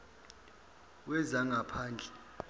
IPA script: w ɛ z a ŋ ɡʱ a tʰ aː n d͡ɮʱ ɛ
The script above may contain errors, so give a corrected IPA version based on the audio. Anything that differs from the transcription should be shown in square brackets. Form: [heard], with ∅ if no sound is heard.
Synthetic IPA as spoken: w ɛ z a ŋ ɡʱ a [pʰ] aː n d͡ɮʱ ɛ